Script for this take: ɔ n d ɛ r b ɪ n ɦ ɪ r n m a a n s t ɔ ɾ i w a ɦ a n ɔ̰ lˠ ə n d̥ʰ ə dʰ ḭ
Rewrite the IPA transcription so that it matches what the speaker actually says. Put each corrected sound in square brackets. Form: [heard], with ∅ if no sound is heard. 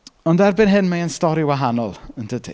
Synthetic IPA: ɔ n d ɛ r b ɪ n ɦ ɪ [∅] n m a [ə] n s t ɔ ɾ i w a ɦ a n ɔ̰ lˠ ə n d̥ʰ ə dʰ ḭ